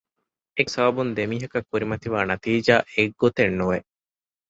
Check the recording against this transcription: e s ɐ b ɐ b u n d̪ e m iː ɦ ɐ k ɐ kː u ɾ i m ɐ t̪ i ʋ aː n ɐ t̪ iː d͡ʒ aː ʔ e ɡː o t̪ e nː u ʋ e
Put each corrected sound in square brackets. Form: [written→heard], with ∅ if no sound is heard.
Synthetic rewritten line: e s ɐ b ɐ b u n d̪ e m iː ɦ ɐ k ɐ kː u ɾ i m ɐ t̪ i ʋ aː n ɐ t̪ iː d͡ʒ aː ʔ e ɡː o t̪ e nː u ʋ e